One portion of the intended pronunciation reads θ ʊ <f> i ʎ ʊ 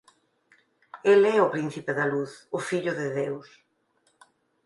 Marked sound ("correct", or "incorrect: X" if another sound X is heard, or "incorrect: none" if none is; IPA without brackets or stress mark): correct